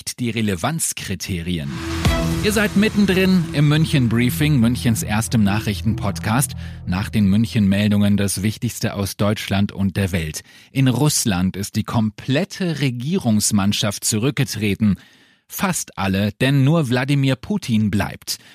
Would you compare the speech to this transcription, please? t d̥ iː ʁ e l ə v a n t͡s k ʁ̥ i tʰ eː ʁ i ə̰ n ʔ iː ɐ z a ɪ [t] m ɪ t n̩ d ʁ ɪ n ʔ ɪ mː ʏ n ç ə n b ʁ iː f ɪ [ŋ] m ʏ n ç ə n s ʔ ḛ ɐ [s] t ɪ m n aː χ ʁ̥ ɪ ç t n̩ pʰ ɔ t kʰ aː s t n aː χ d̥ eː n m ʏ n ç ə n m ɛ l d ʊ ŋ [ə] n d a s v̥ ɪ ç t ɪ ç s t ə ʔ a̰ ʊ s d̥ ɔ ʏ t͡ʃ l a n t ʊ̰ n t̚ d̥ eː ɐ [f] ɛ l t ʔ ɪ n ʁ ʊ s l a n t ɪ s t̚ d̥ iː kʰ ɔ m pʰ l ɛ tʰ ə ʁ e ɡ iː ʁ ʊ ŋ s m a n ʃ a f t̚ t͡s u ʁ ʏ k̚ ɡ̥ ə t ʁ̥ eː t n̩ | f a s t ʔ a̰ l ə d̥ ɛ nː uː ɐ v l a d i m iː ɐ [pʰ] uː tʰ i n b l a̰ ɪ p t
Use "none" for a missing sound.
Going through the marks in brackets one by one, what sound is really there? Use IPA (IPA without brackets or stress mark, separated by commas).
t, ŋ, s, ə, v, pʰ